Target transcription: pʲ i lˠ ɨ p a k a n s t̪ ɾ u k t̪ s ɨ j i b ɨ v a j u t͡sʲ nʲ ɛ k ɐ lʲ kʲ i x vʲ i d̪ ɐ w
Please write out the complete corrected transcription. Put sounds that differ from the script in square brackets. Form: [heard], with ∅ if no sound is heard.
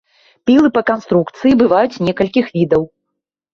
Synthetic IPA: pʲ i lˠ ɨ p [ɐ] k a n s t̪ ɾ u k t̪ s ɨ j i b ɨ v a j u t͡sʲ nʲ ɛ k ɐ lʲ kʲ i x vʲ i d̪ ɐ w